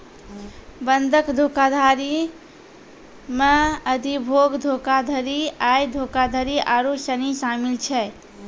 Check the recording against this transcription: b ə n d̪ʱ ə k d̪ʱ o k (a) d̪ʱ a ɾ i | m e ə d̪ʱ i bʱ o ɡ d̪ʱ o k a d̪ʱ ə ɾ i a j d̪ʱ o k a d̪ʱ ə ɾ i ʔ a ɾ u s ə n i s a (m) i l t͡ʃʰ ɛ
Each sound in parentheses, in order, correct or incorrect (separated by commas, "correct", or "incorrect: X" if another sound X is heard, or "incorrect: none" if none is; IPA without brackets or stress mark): correct, correct